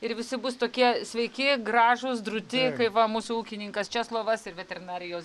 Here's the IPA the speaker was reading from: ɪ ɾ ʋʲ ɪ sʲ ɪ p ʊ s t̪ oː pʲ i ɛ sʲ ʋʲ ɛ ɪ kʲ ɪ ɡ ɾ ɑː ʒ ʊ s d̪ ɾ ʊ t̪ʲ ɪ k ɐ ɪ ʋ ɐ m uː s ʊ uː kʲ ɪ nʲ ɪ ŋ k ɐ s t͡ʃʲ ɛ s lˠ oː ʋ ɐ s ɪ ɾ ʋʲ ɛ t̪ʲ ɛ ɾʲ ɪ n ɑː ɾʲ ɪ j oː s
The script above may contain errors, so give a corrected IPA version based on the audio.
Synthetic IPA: ɪ ɾ ʋʲ ɪ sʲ ɪ b ʊ s t̪ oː kʲ i ɛ sʲ ʋʲ ɛ ɪ kʲ ɪ ɡ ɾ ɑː ʒ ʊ s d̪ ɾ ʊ t̪ʲ ɪ k ɐ ɪ ʋ ɐ m uː s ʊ uː kʲ ɪ nʲ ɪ ŋ k ɐ s t͡ʃʲ ɛ s lˠ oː ʋ ɐ s ɪ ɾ ʋʲ ɛ t̪ʲ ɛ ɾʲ ɪ n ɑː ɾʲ ɪ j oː s

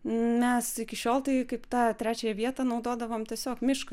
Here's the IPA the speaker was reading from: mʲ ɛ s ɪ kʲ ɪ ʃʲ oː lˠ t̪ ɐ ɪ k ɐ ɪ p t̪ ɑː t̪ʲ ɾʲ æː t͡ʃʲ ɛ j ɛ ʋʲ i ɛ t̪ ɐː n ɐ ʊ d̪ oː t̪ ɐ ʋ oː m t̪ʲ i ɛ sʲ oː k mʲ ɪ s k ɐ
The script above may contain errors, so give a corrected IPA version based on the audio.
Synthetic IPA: mʲ ɛ s ɪ kʲ ɪ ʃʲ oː lˠ t̪ ɐ ɪ k ɐ ɪ p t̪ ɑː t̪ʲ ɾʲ æː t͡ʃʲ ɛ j ɛ ʋʲ i ɛ t̪ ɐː n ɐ ʊ d̪ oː d̪ ɐ ʋ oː m t̪ʲ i ɛ sʲ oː k mʲ ɪ ʃ k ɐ

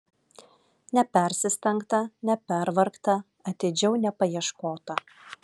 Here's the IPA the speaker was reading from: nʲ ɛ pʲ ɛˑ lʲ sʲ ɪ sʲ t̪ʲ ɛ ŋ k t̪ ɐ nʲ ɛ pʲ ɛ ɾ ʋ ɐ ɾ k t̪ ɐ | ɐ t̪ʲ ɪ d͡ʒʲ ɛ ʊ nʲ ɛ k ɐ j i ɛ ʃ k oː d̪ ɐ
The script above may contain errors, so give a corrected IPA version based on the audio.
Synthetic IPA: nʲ ɛ pʲ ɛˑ ɾʲ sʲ ɪ sʲ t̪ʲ ɛ ŋ k t̪ ɐ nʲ ɛ pʲ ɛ ɾ ʋ ɐ ɾ k t̪ ɐ | ɐ t̪ʲ ɪ d͡ʒʲ ɛ ʊ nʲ ɛ p ɐ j i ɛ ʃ k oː t̪ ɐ

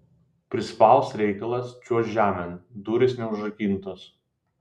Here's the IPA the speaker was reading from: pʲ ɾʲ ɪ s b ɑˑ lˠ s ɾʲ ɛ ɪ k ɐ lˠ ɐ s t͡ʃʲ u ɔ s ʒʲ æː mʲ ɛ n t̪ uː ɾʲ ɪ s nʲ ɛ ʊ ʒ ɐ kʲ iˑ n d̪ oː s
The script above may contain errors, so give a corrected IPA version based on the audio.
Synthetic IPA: pʲ ɾʲ ɪ s p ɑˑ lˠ s ɾʲ ɛ ɪ k ɐ lˠ ɐ s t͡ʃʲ u ɔ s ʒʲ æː mʲ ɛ n d̪ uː ɾʲ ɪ s nʲ ɛ ʊ ʒ ɐ kʲ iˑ n t̪ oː s

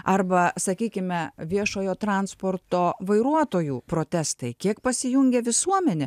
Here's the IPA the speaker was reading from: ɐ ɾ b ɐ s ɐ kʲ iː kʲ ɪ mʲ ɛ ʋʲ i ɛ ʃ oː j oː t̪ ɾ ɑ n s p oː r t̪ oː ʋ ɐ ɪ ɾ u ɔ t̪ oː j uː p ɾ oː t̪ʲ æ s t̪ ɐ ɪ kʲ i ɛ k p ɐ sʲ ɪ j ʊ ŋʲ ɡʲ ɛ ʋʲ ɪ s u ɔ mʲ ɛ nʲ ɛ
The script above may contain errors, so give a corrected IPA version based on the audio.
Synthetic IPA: ɐ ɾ b ɐ s ɐ kʲ iː kʲ ɪ mʲ ɛ ʋʲ i ɛ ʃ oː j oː t̪ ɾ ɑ n s p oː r t̪ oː ʋ ɐ ɪ ɾ u ɔ t̪ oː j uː p ɾ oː t̪ʲ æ s t̪ ɐ ɪ kʲ i ɛ k p ɐ sʲ ɪ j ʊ ŋʲ ɡʲ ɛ ʋʲ ɪ s u ɔ mʲ ɛ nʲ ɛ

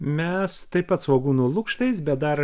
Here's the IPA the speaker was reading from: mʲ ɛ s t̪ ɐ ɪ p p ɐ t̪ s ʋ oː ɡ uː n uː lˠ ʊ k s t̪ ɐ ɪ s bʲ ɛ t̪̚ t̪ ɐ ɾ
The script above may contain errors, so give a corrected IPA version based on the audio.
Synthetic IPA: mʲ ɛ s t̪ ɐ ɪ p p ɐ t̪ s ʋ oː ɡ uː n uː lˠ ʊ k ʃ t̪ ɐ ɪ s bʲ ɛ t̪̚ d̪ ɐ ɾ

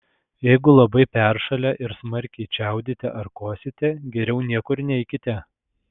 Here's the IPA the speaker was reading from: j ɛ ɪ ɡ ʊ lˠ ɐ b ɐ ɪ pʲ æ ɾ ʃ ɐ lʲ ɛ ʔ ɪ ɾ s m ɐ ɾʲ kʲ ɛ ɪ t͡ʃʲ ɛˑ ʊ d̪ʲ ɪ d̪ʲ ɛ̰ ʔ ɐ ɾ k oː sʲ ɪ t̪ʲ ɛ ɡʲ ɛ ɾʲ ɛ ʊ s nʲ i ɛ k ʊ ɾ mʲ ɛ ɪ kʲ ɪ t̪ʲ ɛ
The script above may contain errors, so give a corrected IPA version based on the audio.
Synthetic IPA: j ɛ ɪ ɡ ʊ lˠ ɐ b ɐ ɪ pʲ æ ɾ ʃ ɐ lʲ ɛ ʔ ɪ ɾ s m ɐ ɾʲ kʲ ɛ ɪ t͡ʃʲ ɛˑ ʊ d̪ʲ ɪ t̪ʲ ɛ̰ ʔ ɐ ɾ k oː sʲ ɪ t̪ʲ ɛ ɡʲ ɛ ɾʲ ɛ ʊ nʲ i ɛ k ʊ ɾ nʲ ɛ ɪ kʲ ɪ t̪ʲ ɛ

